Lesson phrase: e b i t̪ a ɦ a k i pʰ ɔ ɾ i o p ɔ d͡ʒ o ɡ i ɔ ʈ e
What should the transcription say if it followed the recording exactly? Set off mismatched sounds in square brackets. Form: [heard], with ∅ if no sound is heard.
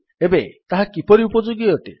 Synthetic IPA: e b [e] t̪ a ɦ a k i [p] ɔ ɾ i [u] p ɔ d͡ʒ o ɡ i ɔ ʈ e